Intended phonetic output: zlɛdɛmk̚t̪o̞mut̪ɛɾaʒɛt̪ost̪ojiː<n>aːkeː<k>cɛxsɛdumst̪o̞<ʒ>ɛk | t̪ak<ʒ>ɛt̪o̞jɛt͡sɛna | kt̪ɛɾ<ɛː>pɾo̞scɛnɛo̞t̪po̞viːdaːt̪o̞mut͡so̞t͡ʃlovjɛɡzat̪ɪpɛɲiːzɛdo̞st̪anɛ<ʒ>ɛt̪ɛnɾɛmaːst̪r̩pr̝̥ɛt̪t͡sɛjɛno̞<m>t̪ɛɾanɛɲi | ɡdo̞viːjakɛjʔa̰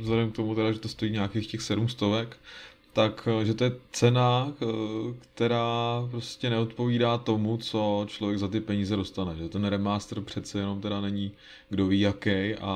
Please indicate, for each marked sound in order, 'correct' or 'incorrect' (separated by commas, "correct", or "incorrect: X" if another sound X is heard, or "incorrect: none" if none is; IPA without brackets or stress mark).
incorrect: ɲ, incorrect: x, incorrect: v, correct, incorrect: aː, correct, correct